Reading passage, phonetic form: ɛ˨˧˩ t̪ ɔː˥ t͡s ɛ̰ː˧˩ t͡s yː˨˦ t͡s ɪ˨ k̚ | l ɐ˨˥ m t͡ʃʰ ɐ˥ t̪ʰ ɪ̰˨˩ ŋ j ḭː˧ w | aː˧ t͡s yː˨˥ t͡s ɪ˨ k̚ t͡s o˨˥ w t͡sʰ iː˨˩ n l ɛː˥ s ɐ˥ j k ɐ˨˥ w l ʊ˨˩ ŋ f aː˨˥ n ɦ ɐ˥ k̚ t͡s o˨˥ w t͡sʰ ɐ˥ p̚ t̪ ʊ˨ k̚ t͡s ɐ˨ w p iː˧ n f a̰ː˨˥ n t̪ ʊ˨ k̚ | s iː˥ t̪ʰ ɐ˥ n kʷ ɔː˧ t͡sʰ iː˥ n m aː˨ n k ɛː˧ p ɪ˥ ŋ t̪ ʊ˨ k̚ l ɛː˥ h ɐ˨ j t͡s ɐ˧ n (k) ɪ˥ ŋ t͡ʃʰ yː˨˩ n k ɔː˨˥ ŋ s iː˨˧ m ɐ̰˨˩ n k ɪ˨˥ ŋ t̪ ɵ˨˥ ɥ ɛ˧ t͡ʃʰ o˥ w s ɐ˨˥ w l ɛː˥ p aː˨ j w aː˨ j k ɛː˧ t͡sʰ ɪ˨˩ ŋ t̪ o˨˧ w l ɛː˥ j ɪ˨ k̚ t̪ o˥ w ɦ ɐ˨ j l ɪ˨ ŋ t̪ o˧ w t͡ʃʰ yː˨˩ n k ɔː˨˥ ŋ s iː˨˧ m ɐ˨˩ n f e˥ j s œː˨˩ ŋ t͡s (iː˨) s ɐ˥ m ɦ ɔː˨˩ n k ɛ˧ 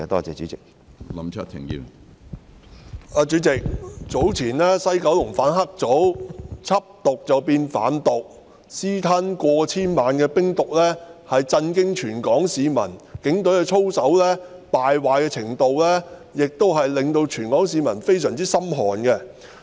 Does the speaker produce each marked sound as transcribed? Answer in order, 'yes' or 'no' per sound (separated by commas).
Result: yes, no